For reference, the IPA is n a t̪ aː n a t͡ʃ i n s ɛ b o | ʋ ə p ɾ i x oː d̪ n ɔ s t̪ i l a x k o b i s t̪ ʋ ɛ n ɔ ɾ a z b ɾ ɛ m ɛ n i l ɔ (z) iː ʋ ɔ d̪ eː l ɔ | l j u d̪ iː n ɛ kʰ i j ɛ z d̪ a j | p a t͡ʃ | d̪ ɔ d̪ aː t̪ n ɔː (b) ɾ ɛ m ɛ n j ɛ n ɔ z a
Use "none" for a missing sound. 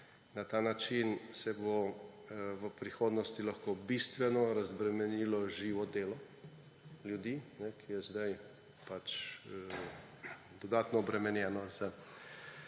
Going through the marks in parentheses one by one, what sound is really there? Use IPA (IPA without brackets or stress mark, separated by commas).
ʒ, b